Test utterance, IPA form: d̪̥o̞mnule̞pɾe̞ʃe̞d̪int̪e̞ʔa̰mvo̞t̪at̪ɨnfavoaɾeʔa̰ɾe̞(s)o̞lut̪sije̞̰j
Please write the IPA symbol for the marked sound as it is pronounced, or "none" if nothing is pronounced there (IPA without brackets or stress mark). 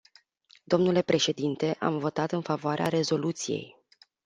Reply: z